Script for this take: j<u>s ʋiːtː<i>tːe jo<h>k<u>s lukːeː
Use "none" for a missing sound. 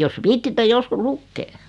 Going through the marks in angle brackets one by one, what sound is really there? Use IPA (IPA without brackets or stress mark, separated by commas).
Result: o, i, s, u